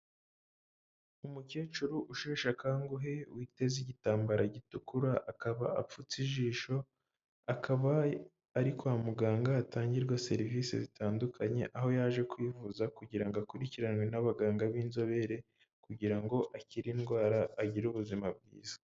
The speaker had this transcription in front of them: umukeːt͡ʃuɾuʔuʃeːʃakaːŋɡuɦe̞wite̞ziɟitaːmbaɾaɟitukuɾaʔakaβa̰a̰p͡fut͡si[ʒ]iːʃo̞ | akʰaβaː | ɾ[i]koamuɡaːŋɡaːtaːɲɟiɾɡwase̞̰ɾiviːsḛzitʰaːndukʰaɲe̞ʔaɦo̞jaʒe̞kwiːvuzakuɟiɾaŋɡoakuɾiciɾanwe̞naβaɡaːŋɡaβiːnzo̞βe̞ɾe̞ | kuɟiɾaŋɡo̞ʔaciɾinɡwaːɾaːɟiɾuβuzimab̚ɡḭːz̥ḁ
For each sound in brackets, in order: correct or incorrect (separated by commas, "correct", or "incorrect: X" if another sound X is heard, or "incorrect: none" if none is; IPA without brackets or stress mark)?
correct, correct